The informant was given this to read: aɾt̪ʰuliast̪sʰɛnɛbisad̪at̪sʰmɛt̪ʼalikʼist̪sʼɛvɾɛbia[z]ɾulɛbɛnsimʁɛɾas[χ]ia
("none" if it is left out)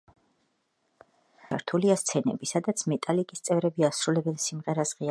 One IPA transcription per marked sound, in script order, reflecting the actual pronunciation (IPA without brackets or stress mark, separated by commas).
s, ʁ